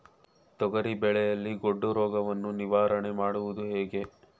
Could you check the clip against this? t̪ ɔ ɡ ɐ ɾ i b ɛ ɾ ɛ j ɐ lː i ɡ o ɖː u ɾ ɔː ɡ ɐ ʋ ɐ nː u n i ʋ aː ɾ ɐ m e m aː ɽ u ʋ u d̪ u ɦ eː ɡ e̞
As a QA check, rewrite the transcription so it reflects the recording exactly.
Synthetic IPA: t̪ ɔ ɡ ɐ ɾ i b ɛ ɭ ɛ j ɐ lː i ɡ o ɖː u ɾ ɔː ɡ ɐ ʋ ɐ nː u n i ʋ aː ɾ ɐ ɳ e m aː ɽ u ʋ u d̪ u ɦ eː ɡ e̞